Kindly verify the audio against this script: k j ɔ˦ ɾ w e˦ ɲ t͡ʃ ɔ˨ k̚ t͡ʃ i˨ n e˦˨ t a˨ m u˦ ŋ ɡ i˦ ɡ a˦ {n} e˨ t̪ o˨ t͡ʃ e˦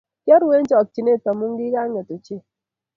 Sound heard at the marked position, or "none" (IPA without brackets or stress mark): ŋ